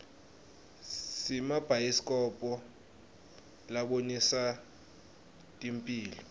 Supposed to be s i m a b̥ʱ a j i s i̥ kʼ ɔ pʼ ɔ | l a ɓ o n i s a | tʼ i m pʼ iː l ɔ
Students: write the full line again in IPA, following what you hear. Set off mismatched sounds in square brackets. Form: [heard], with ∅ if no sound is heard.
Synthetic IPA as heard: s i m a b̥ʱ a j i s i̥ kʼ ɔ pʼ ɔ | l a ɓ o n i s a | tʼ i m pʼ iː l ɔ